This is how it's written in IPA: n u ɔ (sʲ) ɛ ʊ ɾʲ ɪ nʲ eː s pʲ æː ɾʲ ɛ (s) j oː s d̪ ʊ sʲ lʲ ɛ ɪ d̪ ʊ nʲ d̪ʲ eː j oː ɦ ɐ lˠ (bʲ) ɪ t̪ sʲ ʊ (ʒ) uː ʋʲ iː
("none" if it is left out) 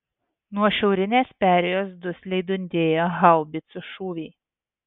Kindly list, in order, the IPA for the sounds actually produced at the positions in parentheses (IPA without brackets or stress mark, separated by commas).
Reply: ʃʲ, none, bʲ, ʃ